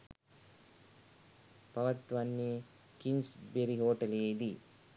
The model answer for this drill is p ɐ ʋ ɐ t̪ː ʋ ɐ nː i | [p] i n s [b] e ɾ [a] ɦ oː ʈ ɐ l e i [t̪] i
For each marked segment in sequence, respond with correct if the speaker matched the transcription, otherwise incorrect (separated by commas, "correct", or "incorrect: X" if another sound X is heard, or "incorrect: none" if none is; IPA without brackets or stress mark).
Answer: incorrect: k, correct, incorrect: i, incorrect: d̪